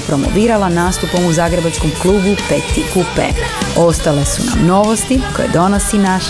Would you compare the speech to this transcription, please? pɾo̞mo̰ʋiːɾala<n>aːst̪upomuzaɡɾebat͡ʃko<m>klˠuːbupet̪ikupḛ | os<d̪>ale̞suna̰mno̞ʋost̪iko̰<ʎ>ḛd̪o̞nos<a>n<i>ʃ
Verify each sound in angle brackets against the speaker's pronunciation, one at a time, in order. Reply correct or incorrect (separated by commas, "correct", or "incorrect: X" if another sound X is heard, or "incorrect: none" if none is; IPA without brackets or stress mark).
correct, correct, incorrect: t̪, incorrect: j, incorrect: i, incorrect: a